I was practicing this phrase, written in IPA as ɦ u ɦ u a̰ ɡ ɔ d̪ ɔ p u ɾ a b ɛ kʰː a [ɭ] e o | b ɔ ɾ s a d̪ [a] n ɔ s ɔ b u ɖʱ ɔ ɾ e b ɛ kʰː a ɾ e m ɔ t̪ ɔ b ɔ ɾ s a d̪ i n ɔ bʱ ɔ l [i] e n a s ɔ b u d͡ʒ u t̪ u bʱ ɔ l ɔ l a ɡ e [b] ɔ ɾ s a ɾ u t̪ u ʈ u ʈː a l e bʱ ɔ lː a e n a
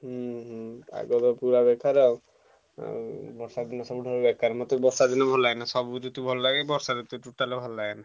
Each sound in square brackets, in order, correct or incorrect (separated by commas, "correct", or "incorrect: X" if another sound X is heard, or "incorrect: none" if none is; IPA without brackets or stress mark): incorrect: ɾ, incorrect: i, incorrect: a, correct